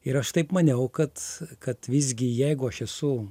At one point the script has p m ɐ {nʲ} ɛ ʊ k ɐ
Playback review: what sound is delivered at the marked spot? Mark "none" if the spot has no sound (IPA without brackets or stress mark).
nʲ